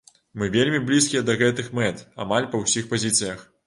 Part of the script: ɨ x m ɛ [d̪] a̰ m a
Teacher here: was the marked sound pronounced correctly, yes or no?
no